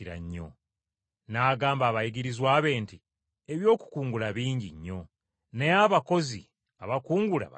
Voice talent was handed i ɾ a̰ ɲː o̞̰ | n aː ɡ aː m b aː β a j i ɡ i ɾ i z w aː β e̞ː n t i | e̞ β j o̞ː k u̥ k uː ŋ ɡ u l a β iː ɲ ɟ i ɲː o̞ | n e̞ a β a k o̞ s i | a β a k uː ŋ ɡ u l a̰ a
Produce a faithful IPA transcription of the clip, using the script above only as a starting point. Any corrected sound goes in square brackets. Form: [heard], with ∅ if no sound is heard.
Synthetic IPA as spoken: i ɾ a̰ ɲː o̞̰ | n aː ɡ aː m b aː β a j i ɡ i ɾ i z w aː β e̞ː n t i | e̞ β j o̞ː k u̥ k uː ŋ ɡ u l a β iː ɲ ɟ i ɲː o̞ | n e̞ a β a k o̞ [z] i | a β a k uː ŋ ɡ u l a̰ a